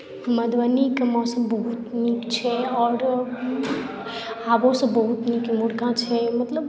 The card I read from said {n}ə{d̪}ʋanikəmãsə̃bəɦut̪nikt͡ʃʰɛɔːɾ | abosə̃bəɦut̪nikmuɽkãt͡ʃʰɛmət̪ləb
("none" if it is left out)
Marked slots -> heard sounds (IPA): m, d̪

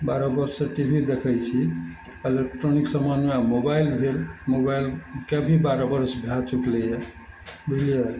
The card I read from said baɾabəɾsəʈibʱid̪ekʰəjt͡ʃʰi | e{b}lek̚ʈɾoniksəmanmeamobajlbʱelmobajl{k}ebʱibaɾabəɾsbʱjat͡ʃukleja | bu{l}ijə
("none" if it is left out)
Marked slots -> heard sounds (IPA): none, k, l

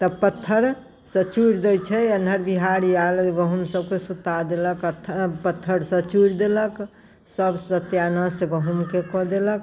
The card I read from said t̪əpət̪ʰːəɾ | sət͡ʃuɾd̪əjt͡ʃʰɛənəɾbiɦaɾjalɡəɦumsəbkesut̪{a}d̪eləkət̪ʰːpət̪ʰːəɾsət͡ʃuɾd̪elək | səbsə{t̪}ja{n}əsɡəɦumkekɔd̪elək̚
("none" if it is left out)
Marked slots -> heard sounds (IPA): a, t̪, n

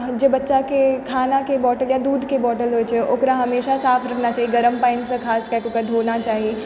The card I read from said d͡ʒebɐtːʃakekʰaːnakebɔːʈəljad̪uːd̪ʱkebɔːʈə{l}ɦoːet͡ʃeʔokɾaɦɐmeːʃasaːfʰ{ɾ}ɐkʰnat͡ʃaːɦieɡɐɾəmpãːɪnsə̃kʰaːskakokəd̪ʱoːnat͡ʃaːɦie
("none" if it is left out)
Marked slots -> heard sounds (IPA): l, ɾ

